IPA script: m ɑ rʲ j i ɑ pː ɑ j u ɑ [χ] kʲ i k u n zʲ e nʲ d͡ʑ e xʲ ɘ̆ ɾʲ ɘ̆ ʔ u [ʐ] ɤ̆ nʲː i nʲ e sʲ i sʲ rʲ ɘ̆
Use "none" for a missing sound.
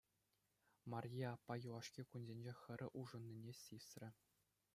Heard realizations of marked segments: ʂ, ʐ

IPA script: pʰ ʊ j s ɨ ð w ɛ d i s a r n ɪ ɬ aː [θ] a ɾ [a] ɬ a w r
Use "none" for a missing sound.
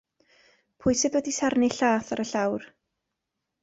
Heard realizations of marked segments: θ, ə

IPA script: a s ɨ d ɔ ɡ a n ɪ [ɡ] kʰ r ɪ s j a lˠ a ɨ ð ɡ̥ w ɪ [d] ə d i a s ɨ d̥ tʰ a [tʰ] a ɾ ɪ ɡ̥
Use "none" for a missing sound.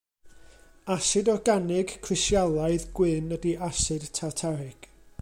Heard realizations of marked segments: ɡ, n, tʰ

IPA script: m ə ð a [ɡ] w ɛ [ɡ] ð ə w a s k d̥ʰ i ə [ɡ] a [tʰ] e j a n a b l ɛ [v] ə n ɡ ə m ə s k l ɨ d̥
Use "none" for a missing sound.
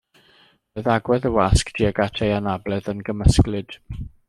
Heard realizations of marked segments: ɡ, none, ɡ, tʰ, ð

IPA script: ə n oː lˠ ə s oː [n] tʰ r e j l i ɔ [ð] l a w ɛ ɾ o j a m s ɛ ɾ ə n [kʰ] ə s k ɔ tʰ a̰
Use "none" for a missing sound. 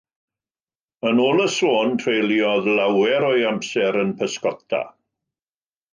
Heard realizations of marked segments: n, ð, pʰ

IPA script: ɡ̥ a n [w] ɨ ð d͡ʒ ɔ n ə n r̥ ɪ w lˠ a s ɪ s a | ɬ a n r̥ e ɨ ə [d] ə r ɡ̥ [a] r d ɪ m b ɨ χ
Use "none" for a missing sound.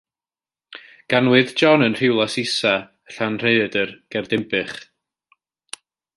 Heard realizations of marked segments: w, d, ɛ

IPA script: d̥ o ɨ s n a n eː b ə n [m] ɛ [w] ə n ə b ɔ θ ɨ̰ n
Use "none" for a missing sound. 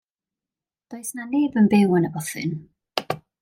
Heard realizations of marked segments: b, w

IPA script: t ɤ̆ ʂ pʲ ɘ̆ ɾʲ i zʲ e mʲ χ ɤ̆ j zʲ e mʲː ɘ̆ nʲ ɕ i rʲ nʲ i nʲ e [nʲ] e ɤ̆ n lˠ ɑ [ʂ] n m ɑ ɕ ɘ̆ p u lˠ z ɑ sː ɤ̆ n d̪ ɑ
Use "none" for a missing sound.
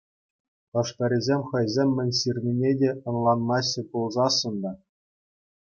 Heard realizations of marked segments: dʲ, none

